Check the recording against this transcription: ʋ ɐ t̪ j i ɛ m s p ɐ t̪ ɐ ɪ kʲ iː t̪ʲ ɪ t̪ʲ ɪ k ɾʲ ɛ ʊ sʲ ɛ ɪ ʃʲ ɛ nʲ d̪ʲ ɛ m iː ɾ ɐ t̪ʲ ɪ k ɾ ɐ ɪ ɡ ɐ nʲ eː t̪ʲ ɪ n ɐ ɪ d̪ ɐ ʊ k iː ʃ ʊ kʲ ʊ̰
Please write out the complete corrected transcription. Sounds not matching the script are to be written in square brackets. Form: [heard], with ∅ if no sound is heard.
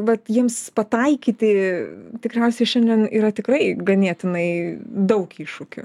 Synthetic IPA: ʋ ɐ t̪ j i ɛ m s p ɐ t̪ ɐ ɪ kʲ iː t̪ʲ ɪ t̪ʲ ɪ k ɾʲ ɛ ʊ sʲ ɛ ɪ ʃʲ ɛ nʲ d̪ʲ ɛ [n] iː ɾ ɐ t̪ʲ ɪ k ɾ ɐ ɪ ɡ ɐ nʲ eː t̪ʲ ɪ n ɐ ɪ d̪ ɐ ʊ k iː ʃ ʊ kʲ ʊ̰